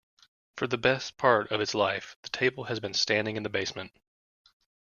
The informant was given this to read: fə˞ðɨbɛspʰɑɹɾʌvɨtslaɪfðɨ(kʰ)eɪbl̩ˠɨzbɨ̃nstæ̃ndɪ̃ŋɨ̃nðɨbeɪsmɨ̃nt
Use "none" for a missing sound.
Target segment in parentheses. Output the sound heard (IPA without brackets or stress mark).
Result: tʰ